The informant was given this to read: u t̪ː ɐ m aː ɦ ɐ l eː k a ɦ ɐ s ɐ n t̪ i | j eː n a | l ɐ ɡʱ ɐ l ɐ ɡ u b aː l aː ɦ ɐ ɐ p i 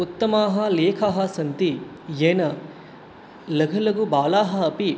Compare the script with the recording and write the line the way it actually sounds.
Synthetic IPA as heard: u t̪ː ɐ m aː ɦ ɐ l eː kʰ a ɦ ɐ s ɐ n t̪ i | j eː n ɐ | l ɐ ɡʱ ɐ l ɐ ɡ u b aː l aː ɦ ɐ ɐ p i